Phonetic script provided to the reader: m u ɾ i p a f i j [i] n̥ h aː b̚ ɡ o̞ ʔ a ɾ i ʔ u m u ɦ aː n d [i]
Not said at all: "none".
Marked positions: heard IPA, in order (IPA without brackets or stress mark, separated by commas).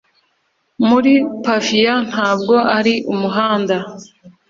a, a